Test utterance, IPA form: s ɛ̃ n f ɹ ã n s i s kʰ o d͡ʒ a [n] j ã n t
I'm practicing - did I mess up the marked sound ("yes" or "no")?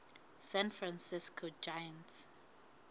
yes